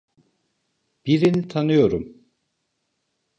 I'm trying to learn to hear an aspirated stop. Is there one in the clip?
yes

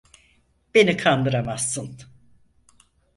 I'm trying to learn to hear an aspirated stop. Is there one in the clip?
yes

